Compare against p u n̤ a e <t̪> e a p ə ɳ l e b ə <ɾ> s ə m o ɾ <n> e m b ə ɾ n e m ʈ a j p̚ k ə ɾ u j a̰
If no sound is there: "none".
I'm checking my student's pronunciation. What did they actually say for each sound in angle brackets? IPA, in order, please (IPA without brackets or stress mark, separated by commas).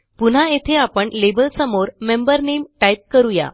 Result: t̪ʰ, l, m